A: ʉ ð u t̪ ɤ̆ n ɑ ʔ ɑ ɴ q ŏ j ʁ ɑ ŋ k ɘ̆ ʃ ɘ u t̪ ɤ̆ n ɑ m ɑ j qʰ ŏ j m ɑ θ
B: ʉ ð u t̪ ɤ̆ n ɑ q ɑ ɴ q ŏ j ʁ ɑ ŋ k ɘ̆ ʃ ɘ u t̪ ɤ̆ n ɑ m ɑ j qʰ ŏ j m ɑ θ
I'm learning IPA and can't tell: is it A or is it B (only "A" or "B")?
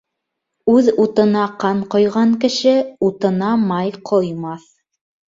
B